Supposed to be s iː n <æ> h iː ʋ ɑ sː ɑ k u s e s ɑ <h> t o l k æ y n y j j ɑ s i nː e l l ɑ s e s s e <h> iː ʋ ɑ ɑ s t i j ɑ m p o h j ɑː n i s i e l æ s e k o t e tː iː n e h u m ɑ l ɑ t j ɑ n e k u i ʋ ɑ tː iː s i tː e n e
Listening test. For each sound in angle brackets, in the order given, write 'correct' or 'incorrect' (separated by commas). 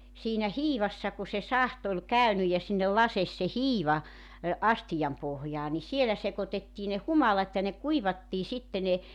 correct, correct, correct